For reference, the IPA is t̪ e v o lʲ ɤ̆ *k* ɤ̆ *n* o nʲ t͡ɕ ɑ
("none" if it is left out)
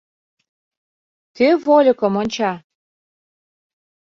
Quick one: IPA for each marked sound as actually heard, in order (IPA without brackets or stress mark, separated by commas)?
k, m